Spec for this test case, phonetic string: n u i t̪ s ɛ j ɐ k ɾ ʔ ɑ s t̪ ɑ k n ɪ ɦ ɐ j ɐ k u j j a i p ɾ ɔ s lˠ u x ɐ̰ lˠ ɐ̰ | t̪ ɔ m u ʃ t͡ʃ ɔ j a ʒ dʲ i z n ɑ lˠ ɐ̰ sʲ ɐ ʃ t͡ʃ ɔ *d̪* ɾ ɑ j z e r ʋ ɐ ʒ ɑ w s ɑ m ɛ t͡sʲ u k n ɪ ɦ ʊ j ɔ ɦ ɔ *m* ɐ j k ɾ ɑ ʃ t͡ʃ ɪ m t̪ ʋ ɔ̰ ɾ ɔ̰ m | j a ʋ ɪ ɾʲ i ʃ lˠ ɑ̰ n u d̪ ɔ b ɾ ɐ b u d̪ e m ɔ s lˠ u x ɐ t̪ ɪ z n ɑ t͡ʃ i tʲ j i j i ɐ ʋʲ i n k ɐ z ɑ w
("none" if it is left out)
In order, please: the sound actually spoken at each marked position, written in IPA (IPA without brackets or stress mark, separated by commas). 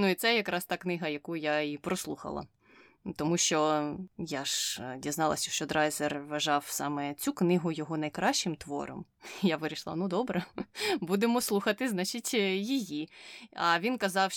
d̪, n